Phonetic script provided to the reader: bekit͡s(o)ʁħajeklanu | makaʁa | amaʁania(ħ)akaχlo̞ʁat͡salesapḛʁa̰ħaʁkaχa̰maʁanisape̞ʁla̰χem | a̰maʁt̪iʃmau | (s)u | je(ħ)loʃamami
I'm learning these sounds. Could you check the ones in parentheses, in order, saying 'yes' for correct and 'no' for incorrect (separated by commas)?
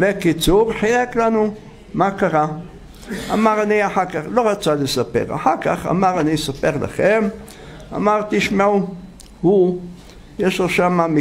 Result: no, yes, no, no